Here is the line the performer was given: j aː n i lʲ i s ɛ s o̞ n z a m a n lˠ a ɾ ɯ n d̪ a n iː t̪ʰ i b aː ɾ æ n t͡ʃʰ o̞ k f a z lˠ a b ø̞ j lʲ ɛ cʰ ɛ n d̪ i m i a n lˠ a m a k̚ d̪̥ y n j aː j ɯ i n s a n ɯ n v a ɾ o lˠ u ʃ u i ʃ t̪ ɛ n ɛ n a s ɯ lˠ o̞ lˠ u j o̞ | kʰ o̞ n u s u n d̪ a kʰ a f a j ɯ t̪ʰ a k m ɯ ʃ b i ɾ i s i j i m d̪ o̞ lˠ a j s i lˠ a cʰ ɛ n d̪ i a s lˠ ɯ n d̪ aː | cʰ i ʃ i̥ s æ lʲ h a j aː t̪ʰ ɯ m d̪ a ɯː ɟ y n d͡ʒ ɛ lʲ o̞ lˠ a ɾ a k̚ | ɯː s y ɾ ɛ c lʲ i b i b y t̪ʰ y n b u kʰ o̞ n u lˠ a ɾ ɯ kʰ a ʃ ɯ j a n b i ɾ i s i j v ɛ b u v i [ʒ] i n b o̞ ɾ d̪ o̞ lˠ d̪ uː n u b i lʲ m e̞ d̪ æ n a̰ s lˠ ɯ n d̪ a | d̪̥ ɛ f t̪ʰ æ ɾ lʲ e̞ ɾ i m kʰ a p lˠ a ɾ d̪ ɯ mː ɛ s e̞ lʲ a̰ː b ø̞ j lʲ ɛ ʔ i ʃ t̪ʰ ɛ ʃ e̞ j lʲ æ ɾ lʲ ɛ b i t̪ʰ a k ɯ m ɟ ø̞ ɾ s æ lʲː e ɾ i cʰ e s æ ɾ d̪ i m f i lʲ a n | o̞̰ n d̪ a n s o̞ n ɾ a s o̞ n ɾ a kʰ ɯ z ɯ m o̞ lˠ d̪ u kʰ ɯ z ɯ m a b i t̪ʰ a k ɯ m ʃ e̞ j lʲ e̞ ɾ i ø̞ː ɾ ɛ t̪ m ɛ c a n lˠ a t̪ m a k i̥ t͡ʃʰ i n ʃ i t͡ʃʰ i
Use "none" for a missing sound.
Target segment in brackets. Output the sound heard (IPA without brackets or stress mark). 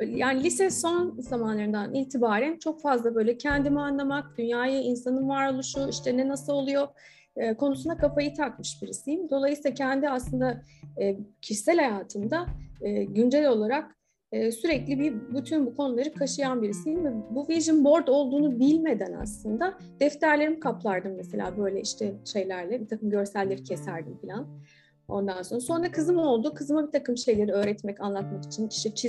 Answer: ʒ